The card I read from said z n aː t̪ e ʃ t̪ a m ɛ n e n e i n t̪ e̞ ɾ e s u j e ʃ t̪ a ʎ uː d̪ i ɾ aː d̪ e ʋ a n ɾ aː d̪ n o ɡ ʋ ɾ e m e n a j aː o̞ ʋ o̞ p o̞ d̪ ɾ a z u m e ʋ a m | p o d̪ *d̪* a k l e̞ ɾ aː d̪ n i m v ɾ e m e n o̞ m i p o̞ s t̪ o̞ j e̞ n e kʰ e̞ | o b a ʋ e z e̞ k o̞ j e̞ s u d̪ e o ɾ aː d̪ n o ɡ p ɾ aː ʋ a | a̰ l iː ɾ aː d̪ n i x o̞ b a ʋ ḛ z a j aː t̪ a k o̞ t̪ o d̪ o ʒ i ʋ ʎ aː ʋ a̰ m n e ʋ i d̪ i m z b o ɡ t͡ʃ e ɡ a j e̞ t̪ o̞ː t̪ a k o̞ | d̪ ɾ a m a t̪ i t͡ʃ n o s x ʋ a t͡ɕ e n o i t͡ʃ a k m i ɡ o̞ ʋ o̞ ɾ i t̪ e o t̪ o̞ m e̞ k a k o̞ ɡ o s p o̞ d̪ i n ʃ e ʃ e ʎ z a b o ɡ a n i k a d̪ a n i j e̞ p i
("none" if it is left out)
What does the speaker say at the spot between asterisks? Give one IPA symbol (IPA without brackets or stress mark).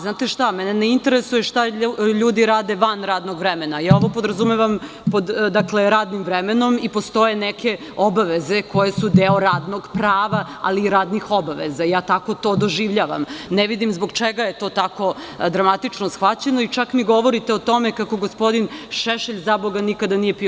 d̪